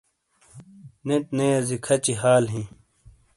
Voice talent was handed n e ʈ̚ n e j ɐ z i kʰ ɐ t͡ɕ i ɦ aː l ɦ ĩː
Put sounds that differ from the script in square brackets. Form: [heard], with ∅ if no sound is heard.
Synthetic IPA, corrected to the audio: n e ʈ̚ n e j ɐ z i kʰ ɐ t͡ɕ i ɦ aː l ɦ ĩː